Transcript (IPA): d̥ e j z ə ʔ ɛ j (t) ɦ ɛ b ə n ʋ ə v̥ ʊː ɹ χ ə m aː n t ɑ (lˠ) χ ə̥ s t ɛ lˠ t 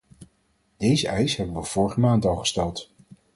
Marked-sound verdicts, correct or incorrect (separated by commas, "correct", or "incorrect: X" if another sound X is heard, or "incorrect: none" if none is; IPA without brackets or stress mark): incorrect: s, correct